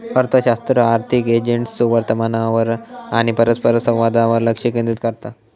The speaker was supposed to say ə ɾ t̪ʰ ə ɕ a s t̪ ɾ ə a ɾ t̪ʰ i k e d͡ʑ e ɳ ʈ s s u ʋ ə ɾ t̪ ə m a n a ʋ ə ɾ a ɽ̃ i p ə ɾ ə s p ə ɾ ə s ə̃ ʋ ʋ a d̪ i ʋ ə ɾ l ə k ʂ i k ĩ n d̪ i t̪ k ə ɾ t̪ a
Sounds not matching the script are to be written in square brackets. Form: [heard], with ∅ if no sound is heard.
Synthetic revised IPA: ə ɾ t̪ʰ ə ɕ a s t̪ ɾ ə a ɾ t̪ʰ i k e d͡ʑ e ɳ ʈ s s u ʋ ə ɾ t̪ ə m a n a ʋ ə ɾ a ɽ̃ i p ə ɾ ə s p ə ɾ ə s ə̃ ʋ ʋ a d̪ [a] ʋ ə ɾ l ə k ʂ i k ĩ n d̪ i t̪ k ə ɾ t̪ a